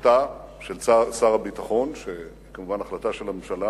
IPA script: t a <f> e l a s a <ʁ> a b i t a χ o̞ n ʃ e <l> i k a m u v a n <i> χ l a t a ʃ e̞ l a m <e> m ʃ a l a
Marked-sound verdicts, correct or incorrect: incorrect: ʃ, correct, incorrect: none, incorrect: a, correct

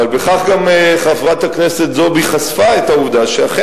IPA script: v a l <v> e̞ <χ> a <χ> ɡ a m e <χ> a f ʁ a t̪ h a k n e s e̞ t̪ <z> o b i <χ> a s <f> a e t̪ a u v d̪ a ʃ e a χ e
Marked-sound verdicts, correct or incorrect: incorrect: b, correct, correct, correct, correct, correct, correct

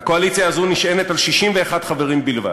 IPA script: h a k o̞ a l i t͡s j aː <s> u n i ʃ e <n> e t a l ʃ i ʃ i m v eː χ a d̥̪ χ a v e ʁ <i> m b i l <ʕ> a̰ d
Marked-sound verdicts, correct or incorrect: incorrect: z, correct, correct, incorrect: v

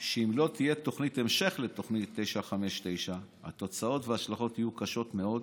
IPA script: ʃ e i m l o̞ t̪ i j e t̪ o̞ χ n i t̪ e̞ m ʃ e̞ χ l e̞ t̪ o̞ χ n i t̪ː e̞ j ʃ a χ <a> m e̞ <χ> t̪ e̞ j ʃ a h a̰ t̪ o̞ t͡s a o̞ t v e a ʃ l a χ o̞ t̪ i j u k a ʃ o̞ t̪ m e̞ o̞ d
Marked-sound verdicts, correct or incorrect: correct, incorrect: ʃ

